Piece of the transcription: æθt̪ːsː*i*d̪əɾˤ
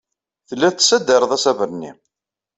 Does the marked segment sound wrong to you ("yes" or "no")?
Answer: yes